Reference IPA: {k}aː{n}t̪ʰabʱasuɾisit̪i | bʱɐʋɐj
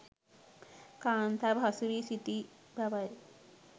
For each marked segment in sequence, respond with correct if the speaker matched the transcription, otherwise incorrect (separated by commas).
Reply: correct, correct